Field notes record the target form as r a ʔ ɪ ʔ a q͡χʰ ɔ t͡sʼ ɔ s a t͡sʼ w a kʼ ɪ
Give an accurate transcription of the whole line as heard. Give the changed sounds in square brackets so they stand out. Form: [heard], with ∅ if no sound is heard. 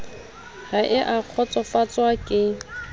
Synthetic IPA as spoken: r a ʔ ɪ ʔ a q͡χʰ ɔ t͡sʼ ɔ [f] a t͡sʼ w a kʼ ɪ